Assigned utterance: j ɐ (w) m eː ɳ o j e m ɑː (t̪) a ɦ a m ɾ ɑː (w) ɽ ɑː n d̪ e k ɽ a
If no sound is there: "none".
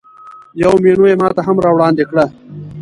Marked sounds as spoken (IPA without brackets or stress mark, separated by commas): w, t̪, w